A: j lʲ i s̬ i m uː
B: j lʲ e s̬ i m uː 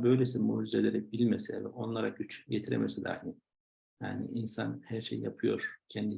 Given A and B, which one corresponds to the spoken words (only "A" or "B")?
B